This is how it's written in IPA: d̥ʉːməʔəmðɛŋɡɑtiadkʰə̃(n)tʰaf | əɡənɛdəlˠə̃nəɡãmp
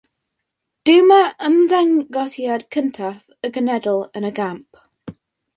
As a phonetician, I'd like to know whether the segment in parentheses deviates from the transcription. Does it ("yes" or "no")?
no